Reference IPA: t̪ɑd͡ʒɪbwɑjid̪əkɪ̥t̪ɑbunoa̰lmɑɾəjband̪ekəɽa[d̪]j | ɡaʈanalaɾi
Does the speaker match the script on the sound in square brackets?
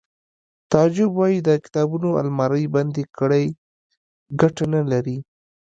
no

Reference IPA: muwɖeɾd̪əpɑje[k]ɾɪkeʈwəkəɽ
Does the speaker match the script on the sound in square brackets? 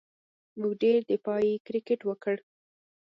yes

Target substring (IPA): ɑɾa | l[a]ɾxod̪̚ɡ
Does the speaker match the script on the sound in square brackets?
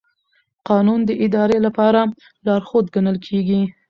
no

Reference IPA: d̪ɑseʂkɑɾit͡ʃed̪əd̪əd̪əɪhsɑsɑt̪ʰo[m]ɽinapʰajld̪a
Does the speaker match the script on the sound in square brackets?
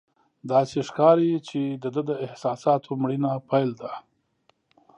yes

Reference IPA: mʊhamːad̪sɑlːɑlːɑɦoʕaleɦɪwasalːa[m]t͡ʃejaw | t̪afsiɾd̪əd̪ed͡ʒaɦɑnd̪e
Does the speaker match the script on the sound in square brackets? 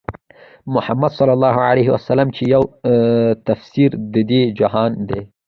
yes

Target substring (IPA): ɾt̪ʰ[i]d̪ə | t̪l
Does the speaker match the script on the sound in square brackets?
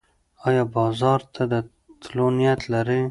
no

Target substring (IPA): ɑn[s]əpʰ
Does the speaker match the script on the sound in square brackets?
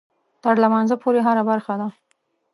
no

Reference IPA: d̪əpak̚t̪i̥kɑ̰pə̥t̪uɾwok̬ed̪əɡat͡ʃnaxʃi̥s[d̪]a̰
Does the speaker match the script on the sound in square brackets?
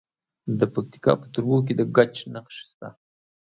no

